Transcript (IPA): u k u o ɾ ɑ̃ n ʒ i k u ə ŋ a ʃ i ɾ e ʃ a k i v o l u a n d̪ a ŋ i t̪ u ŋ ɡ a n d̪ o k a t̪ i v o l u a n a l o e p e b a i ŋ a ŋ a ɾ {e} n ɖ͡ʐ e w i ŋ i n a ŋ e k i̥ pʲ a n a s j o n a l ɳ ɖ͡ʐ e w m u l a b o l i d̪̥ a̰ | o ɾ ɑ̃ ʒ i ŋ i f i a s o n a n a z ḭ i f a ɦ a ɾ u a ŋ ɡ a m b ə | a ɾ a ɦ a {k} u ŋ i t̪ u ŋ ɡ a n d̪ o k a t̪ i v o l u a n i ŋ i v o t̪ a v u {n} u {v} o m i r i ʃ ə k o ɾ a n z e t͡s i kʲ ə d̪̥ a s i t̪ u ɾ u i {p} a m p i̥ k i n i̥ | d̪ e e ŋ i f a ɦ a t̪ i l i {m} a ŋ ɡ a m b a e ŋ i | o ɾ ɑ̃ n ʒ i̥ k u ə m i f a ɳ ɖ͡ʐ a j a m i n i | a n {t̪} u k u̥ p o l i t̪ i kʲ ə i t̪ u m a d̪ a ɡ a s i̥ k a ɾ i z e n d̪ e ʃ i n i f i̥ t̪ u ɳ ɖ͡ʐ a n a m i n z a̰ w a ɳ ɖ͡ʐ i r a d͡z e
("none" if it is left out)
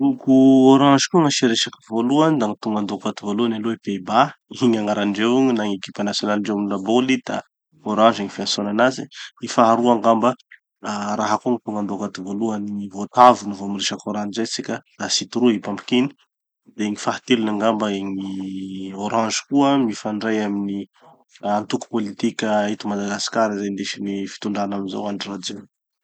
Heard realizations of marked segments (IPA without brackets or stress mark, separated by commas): a, k, n, v, p, n, t̪